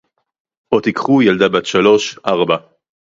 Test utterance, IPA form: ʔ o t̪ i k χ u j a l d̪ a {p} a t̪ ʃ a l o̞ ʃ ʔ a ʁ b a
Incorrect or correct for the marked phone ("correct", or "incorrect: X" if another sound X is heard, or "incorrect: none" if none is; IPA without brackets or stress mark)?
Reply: incorrect: b